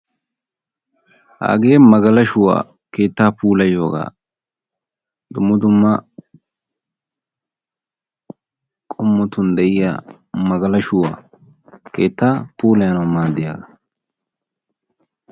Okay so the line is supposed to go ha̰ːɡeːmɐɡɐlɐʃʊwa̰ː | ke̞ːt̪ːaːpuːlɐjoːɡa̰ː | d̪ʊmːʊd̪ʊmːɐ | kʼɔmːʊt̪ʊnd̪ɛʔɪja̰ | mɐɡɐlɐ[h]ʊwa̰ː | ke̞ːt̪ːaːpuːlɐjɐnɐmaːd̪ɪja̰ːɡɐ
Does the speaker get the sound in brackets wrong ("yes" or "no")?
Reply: yes